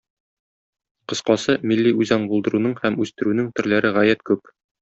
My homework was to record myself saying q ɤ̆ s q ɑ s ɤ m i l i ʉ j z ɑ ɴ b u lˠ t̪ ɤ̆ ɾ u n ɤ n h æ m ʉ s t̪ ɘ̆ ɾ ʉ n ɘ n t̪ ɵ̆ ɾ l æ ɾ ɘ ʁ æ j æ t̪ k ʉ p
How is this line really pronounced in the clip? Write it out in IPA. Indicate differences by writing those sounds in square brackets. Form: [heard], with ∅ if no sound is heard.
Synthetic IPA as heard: q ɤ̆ s q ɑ s ɤ m i [lː] i ʉ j z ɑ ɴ b u lˠ [d̪] ɤ̆ ɾ u n ɤ [ɴ] h æ m ʉ s t̪ ɘ̆ ɾ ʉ n ɘ [ŋ] t̪ ɵ̆ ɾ l æ ɾ ɘ ʁ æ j æ t̪ k ʉ p

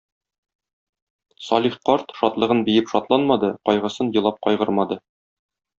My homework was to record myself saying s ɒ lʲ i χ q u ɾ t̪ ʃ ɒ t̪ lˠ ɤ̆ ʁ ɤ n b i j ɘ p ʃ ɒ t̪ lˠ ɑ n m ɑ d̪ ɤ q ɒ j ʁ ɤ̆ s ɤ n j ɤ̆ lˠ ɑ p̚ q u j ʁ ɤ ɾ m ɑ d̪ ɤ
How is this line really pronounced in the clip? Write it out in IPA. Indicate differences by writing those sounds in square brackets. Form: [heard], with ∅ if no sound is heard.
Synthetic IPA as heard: s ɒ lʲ i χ q [ɒ] ɾ t̪ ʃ ɒ t̪ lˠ ɤ̆ ʁ ɤ n b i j ɘ p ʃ ɒ t̪ lˠ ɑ n m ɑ d̪ ɤ q ɒ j ʁ ɤ̆ s ɤ n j ɤ̆ lˠ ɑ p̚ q [ɒ] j ʁ ɤ ɾ m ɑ d̪ ɤ

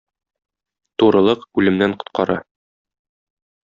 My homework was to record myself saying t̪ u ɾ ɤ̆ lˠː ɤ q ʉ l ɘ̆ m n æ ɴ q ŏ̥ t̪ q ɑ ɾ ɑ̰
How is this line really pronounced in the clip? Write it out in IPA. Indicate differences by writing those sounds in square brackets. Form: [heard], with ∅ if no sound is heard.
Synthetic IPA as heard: t̪ u ɾ ɤ̆ [lˠ] ɤ q ʉ l ɘ̆ m n æ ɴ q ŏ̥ t̪ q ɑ ɾ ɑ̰

